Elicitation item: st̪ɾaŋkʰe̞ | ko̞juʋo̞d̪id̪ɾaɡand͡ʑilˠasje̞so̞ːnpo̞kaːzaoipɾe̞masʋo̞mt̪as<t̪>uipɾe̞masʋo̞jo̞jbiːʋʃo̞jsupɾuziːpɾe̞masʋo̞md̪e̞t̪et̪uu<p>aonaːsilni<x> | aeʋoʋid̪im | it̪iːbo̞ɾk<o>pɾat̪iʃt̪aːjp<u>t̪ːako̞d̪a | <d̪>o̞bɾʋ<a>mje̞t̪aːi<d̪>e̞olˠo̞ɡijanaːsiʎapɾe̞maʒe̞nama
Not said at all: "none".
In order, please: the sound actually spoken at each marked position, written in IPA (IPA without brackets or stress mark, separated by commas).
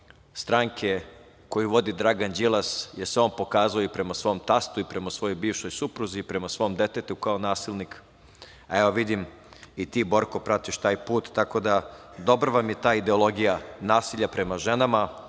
t̪, k, k, o, uː, d̪, a, d̪